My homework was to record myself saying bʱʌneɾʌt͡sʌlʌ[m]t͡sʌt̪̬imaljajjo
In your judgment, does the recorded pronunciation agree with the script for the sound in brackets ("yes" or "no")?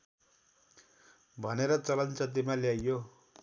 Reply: no